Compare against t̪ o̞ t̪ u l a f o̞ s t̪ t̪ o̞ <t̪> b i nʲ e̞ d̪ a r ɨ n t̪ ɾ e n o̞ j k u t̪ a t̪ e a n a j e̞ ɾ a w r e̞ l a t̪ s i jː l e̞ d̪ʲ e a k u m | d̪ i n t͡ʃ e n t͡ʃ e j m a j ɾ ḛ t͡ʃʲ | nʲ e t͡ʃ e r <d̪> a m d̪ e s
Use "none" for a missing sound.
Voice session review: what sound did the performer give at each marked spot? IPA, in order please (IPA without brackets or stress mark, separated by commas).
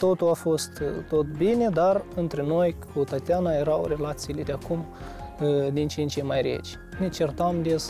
t̪, t̪